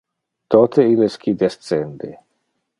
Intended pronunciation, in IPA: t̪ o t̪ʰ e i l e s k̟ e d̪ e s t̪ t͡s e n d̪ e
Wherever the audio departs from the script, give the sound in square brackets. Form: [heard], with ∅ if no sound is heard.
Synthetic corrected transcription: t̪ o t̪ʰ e i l e s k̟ [i] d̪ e s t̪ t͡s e n d̪ e